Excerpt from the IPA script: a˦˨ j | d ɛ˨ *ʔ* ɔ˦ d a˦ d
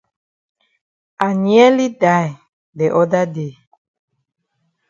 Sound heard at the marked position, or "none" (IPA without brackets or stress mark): ʔ